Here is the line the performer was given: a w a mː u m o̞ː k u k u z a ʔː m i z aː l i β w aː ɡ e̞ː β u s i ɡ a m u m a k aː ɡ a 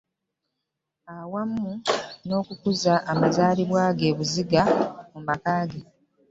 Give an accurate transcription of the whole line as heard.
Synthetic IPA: a w a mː u n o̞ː k u k u z a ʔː m a z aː l i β w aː ɡ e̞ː β u z i ɡ a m u m a k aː ɡ e

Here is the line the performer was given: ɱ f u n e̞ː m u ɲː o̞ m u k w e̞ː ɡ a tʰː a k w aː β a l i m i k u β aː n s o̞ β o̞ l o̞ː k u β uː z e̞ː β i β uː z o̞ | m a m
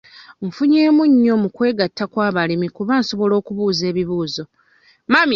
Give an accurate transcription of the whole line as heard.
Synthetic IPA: ɱ f u ɲ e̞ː m u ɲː o̞ m u k w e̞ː ɡ a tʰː a k w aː β a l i m i k u β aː n s o̞ β o̞ l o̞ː k u β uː z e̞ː β i β uː z o̞ | m a m

